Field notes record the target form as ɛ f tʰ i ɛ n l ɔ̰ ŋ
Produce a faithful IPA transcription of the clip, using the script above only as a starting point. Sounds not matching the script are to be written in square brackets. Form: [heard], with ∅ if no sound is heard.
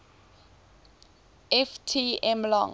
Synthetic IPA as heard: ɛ f tʰ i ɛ [m] l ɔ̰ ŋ